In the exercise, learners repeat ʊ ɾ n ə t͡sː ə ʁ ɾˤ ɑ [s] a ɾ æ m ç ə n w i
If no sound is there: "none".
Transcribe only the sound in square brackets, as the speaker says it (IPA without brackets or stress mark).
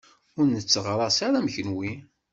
s